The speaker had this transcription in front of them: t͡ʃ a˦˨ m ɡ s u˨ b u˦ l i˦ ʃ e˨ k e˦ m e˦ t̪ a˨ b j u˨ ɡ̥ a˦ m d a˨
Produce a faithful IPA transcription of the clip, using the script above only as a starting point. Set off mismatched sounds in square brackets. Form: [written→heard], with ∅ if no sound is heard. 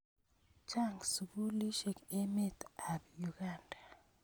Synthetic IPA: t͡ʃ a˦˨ [m→ŋ] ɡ s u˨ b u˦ l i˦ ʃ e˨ k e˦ m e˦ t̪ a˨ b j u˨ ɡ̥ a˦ [m→n] d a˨